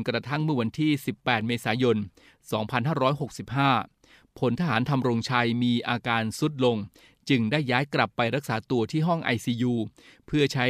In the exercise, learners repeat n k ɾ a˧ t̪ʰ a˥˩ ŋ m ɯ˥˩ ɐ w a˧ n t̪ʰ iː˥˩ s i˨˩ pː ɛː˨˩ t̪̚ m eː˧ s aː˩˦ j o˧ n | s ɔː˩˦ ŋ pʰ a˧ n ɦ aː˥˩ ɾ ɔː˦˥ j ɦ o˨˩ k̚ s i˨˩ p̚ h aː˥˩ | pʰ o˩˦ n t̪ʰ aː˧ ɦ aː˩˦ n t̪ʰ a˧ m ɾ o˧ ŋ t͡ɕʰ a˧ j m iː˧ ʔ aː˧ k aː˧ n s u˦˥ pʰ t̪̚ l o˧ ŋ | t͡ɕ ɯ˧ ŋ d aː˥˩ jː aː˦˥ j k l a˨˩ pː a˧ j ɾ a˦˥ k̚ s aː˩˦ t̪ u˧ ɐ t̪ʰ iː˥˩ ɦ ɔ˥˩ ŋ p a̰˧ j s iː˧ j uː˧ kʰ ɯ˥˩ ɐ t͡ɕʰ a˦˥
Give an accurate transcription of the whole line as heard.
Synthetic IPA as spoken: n k ɾ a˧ t̪ʰ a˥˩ ŋ m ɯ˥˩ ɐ w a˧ n t̪ʰ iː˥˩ s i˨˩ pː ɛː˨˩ t̪̚ m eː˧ s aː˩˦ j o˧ n | s ɔː˩˦ ŋ pʰ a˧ n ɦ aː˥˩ ɾ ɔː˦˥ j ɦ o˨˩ k̚ s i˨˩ p̚ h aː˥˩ | pʰ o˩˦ n t̪ʰ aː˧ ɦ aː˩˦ n t̪ʰ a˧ m ɾ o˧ ŋ t͡ɕʰ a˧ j m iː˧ ʔ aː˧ k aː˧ n s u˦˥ t̪̚ l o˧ ŋ | t͡ɕ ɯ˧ ŋ d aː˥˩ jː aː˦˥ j k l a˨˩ pː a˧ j ɾ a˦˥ k̚ s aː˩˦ t̪ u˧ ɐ t̪ʰ iː˥˩ ɦ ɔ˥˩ ŋ ʔ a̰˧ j s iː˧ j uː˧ pʰ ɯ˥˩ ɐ t͡ɕʰ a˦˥